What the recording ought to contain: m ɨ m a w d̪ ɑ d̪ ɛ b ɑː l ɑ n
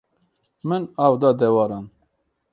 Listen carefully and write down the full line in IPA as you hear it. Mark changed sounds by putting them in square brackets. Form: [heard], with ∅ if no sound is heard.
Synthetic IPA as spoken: m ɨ [n] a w d̪ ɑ d̪ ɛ [w] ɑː [ɾ] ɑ n